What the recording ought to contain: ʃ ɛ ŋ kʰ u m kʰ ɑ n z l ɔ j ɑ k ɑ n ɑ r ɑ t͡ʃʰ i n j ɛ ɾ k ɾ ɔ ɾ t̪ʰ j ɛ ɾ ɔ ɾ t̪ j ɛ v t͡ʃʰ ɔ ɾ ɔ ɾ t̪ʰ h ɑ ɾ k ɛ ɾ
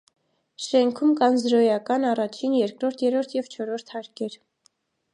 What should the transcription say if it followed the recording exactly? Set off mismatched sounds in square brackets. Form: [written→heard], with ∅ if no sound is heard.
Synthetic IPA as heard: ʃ ɛ ŋ kʰ u m [kʰ→k] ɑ n z [l→ɾ] ɔ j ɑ k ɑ n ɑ r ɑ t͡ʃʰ i n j ɛ ɾ k ɾ ɔ ɾ t̪ʰ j ɛ ɾ ɔ ɾ [t̪→t̪ʰ] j ɛ v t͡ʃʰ ɔ ɾ ɔ ɾ t̪ʰ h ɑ ɾ k ɛ ɾ